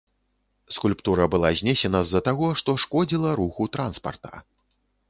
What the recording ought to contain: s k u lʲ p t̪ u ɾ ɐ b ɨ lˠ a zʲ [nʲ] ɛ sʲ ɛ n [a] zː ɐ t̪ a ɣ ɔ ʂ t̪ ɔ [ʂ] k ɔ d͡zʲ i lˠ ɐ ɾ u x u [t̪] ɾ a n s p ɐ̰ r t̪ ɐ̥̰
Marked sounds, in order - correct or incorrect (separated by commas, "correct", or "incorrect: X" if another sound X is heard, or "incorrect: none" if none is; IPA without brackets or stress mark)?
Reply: correct, incorrect: ɐ, correct, correct